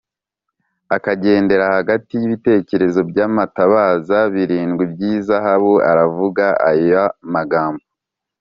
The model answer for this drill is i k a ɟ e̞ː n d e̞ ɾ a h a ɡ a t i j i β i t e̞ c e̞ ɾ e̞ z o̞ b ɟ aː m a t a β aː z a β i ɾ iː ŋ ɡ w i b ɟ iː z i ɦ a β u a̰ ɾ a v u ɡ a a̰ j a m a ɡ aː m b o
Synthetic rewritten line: a k a ɟ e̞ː n d e̞ ɾ a h a ɡ a t i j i β i t e̞ c e̞ ɾ e̞ z o̞ b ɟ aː m a t a β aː z a β i ɾ iː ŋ ɡ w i b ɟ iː z a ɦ a β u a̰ ɾ a v u ɡ a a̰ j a m a ɡ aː m b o